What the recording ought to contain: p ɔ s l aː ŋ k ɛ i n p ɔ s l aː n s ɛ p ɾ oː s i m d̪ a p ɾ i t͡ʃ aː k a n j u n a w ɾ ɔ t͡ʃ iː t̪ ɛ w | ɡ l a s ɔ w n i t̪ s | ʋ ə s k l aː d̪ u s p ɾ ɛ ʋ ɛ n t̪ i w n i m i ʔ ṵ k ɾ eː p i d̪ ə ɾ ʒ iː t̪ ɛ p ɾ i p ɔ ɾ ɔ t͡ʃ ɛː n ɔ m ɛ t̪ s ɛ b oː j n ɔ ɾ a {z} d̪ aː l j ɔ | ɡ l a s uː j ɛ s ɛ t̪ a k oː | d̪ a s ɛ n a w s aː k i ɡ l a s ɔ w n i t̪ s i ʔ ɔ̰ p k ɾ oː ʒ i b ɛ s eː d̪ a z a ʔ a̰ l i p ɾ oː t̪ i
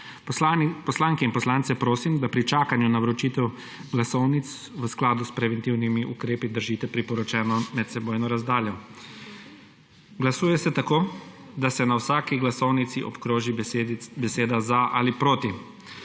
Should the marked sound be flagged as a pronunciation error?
no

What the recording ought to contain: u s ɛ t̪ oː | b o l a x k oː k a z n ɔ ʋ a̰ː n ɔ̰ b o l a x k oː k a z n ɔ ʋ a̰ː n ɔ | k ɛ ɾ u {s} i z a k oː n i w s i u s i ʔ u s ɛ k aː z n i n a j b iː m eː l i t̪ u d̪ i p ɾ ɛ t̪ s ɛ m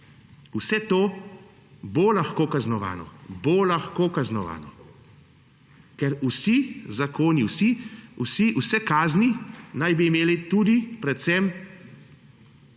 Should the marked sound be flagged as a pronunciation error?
no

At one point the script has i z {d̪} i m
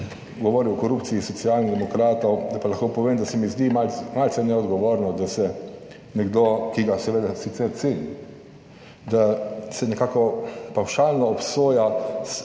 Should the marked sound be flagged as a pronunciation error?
no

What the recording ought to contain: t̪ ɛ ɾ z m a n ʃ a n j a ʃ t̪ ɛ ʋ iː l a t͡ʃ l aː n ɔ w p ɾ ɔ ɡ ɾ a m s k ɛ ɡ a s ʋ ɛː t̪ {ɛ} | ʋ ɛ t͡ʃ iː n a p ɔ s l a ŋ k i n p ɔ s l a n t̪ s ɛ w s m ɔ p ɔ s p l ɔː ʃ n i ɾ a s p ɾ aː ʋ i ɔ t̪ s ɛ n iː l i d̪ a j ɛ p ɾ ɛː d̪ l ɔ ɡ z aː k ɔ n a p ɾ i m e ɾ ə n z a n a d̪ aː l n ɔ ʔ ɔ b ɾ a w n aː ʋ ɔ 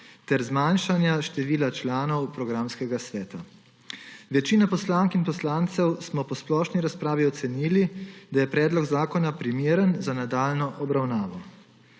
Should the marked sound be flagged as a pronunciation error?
yes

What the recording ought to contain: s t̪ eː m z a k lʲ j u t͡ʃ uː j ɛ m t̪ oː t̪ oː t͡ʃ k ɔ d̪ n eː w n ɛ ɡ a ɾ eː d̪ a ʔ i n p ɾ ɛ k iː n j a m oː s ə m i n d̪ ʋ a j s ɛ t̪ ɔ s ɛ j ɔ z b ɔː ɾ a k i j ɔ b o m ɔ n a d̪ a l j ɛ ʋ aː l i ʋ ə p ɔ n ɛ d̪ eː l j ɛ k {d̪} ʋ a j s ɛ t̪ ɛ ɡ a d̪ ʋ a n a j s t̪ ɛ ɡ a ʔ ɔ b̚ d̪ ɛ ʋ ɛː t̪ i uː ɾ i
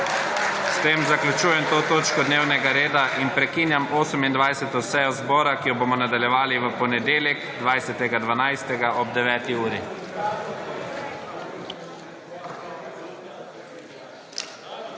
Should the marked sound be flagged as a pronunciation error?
no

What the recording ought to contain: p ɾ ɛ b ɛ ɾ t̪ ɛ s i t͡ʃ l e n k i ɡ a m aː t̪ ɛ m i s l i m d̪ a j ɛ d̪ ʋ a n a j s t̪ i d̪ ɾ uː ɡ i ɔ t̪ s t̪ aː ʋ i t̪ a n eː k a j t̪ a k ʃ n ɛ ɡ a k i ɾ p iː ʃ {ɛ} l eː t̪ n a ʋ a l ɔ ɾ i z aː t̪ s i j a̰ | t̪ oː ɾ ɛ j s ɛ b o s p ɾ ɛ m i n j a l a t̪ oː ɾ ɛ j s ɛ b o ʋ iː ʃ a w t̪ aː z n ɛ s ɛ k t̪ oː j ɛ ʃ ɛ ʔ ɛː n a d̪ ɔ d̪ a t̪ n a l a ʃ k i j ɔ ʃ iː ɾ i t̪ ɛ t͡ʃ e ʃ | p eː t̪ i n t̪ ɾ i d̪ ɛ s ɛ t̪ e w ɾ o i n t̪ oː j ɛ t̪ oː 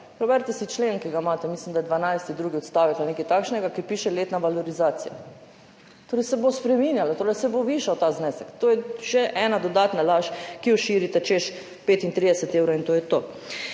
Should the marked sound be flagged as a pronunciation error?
no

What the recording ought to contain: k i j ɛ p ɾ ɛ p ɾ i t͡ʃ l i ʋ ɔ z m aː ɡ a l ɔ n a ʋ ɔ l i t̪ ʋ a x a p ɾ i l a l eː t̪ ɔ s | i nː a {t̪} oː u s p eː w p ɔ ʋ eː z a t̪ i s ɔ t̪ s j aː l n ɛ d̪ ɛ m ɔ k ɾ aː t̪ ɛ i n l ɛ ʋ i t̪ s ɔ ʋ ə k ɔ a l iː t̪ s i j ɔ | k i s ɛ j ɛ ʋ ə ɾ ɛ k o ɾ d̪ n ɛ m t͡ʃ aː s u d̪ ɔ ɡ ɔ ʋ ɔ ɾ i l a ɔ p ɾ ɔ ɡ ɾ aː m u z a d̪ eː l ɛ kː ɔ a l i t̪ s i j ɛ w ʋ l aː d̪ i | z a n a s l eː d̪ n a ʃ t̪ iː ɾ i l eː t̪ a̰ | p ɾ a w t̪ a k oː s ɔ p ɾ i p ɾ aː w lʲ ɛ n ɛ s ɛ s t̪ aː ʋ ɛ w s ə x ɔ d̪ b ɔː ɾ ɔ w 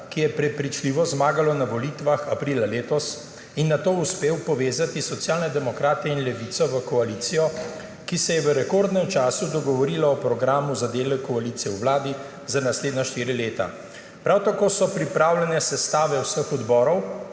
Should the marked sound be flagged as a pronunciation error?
no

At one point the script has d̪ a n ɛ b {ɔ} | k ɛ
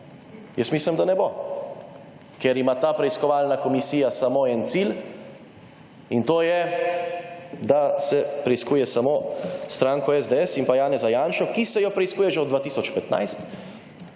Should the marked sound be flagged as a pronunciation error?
yes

